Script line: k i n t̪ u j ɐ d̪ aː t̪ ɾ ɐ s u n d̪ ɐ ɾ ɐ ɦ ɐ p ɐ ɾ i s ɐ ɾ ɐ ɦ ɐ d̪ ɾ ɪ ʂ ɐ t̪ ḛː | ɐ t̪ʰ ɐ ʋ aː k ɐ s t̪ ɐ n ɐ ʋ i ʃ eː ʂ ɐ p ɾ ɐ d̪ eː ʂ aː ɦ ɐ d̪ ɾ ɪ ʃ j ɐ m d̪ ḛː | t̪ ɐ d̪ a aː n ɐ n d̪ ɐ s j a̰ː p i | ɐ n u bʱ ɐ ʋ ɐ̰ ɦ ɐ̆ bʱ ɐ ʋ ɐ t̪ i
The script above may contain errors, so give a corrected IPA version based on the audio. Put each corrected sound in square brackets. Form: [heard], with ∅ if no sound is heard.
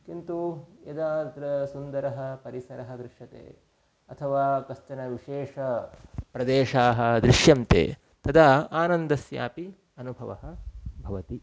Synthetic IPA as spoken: k i n t̪ u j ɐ d̪ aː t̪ ɾ ɐ s u n d̪ ɐ ɾ ɐ ɦ ɐ p ɐ ɾ i s ɐ ɾ ɐ ɦ ɐ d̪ ɾ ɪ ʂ ɐ t̪ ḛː | ɐ t̪ʰ ɐ ʋ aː k ɐ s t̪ ɐ n ɐ ʋ i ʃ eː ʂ ɐ p ɾ ɐ d̪ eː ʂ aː ɦ ɐ d̪ ɾ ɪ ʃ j ɐ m [t̪] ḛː | t̪ ɐ d̪ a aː n ɐ n d̪ ɐ s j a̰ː p i | ɐ n u bʱ ɐ ʋ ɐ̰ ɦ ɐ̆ bʱ ɐ ʋ ɐ t̪ i